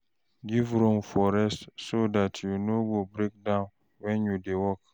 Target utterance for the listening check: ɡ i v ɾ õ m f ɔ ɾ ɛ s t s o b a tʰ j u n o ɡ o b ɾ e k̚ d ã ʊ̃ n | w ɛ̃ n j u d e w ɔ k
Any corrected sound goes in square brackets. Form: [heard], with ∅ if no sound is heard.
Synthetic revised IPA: ɡ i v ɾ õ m f ɔ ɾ ɛ s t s o [d] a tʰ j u n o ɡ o b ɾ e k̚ d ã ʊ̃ n | w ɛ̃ n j u d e w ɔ k